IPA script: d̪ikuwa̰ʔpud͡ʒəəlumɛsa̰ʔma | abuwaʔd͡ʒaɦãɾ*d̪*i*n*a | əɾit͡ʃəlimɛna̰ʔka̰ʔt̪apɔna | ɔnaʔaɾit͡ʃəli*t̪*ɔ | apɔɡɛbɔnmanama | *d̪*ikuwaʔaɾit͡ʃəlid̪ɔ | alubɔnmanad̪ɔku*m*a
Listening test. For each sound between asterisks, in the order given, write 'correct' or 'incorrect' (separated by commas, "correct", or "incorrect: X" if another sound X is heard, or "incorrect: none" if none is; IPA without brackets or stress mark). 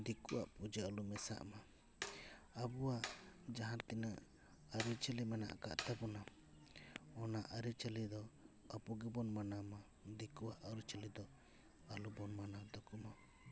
incorrect: t̪, correct, incorrect: d̪, correct, correct